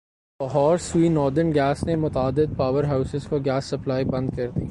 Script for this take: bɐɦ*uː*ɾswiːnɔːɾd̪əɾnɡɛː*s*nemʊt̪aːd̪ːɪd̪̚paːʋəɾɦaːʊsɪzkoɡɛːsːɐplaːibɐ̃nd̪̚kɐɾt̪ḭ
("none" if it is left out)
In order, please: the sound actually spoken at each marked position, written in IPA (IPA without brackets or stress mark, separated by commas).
ɔː, s